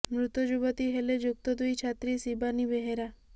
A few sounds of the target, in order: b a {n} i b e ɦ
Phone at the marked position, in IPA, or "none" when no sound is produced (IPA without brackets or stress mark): n